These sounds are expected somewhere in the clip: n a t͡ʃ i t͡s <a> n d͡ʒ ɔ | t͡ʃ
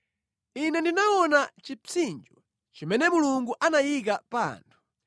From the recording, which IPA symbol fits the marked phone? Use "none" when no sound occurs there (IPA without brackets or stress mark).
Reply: i